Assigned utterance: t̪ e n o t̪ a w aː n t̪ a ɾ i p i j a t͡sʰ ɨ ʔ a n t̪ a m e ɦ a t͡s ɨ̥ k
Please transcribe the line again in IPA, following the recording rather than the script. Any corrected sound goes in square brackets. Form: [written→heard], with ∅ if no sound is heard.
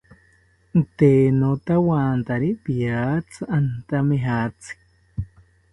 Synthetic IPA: t̪ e n o t̪ a w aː n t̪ a ɾ i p i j a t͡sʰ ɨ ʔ a n t̪ a m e ɦ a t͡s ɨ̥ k